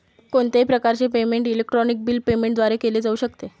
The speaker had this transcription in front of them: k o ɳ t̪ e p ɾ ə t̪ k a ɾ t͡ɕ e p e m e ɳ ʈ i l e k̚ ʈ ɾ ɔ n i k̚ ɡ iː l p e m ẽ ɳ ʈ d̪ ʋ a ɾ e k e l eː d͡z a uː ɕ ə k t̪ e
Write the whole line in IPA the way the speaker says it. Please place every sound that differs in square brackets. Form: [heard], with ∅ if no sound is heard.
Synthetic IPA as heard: k o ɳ t̪ e p ɾ ə [∅] k a ɾ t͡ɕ e p e m e ɳ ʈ i l e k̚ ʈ ɾ ɔ n i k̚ [b] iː l p e m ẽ ɳ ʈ d̪ ʋ a ɾ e k e l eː d͡z a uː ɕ ə k t̪ e